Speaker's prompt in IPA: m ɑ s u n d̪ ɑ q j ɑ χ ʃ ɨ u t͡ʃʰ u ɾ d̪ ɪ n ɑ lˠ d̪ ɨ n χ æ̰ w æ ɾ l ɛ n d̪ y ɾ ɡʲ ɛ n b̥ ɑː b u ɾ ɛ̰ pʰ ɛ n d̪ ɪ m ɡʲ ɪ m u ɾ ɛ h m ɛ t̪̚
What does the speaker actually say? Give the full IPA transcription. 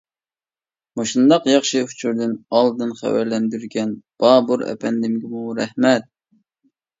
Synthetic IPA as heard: m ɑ ʃ u n d̪ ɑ q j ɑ χ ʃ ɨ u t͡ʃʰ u ɾ d̪ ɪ n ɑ lˠ d̪ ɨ n χ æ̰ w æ ɾ l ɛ n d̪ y ɾ ɡʲ ɛ n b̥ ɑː b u ɾ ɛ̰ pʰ ɛ n d̪ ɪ m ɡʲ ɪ m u ɾ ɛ h m ɛ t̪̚

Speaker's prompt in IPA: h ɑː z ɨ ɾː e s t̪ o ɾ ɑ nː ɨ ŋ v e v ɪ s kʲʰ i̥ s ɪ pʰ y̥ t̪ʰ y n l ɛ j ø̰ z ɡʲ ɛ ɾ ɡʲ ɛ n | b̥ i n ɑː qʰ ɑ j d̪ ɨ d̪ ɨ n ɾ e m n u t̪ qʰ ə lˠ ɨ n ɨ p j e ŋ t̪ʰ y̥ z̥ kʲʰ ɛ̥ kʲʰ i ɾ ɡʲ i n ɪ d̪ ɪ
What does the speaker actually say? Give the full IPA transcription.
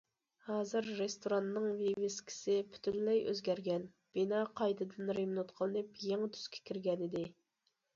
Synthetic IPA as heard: h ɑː z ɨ ɾː e s t̪ o ɾ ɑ nː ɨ ŋ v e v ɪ s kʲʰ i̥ s ɪ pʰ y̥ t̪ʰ y n l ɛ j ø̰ z ɡʲ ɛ ɾ ɡʲ ɛ n | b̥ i n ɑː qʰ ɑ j d̪ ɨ d̪ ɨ n ɾ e m n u t̪ qʰ ə lˠ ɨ n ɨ p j e ŋ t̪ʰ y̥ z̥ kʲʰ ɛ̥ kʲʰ i ɾ ɡʲ ɛ n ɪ d̪ ɪ

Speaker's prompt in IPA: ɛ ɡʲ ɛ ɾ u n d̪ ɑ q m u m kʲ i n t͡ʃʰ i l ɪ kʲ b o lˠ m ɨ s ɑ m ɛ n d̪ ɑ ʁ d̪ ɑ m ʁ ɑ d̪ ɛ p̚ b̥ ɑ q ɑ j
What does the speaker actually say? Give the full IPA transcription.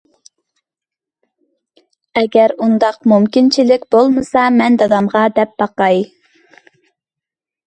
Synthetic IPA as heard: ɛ ɡʲ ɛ ɾ u n d̪ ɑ q m u m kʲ i n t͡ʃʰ i l ɪ kʲ b o lˠ m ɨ s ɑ m ɛ n d̪ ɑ d̪ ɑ m ʁ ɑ d̪ ɛ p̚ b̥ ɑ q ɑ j

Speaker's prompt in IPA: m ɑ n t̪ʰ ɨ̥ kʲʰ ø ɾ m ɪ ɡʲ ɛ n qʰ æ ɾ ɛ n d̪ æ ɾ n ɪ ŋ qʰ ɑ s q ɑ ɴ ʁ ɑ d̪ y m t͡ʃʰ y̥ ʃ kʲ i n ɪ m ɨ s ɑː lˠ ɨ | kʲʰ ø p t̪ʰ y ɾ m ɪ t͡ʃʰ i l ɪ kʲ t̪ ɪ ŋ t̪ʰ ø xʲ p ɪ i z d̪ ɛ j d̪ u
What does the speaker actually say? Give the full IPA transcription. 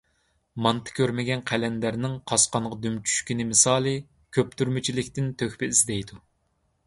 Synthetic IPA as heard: m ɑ n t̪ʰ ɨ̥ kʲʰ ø ɾ m ɪ ɡʲ ɛ n qʰ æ l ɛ n d̪ æ ɾ n ɪ ŋ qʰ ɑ s q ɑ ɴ ʁ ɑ d̪ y m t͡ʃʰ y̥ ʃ kʲ i n ɪ m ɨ s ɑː lˠ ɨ | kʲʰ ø p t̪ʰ y ɾ m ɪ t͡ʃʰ i l ɪ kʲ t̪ ɪ n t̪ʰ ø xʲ p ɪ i z d̪ ɛ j d̪ u

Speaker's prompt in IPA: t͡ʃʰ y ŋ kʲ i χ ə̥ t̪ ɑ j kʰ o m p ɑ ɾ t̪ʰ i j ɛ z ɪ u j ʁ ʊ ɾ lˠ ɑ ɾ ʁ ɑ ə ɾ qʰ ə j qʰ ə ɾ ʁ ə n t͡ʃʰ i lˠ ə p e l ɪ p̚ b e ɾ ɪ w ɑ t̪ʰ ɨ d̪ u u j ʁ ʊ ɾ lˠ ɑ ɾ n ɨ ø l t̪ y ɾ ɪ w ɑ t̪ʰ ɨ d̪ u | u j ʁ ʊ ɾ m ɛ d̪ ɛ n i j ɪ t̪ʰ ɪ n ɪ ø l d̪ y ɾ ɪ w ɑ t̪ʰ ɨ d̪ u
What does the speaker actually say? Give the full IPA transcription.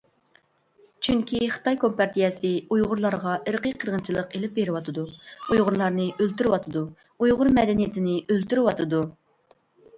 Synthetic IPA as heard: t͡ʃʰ y ŋ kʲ i χ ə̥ t̪ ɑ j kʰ o m p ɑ ɾ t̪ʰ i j ɛ s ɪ u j ʁ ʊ ɾ lˠ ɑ ɾ ʁ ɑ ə ɾ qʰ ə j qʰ ə ɾ ʁ ə n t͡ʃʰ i lˠ ə q e l ɪ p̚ b e ɾ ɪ w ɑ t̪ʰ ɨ d̪ u u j ʁ ʊ ɾ lˠ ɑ ɾ n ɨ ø l t̪ y ɾ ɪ w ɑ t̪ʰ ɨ d̪ u | u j ʁ ʊ ɾ m ɛ d̪ ɛ n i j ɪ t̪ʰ ɪ n ɪ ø l t̪ y ɾ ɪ w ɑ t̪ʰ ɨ d̪ u

